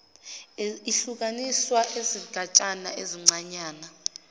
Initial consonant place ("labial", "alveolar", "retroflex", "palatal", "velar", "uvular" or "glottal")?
alveolar